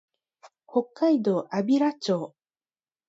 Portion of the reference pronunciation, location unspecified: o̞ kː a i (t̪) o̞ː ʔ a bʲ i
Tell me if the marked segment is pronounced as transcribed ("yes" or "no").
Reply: no